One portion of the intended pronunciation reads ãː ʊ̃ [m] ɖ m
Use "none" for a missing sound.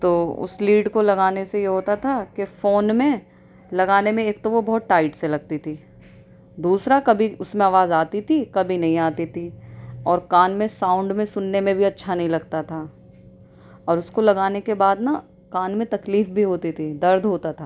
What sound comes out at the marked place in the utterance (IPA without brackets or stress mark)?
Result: ɳ